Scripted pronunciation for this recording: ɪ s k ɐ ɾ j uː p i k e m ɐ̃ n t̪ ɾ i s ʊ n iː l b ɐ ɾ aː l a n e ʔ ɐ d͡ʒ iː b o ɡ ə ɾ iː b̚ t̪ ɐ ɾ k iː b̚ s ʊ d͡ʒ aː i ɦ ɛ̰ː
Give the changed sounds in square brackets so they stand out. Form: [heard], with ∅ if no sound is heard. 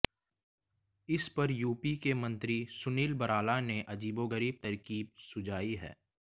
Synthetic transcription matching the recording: ɪ s [p] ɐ ɾ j uː p i k e m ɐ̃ n t̪ ɾ i s ʊ n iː l b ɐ ɾ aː l a n e ʔ ɐ d͡ʒ iː b o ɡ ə ɾ iː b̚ t̪ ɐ ɾ k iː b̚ s ʊ d͡ʒ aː i ɦ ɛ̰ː